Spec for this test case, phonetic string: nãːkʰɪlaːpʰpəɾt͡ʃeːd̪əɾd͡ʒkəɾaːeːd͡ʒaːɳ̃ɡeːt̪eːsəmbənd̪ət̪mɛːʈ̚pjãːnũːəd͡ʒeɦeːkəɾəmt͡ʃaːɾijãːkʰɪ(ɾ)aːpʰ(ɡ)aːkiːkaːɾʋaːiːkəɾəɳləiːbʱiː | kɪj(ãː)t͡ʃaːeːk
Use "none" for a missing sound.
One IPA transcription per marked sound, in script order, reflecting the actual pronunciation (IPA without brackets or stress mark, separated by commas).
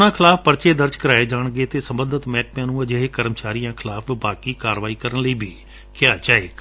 l, b, aː